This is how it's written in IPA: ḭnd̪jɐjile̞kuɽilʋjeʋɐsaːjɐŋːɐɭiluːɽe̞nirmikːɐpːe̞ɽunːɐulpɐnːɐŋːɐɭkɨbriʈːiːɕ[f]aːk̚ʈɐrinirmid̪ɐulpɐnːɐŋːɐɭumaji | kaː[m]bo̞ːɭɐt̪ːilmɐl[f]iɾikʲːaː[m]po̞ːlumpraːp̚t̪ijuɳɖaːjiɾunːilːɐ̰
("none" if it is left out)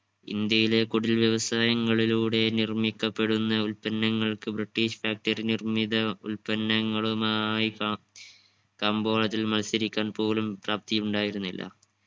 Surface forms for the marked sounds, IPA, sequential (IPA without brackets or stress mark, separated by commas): f, m, s, n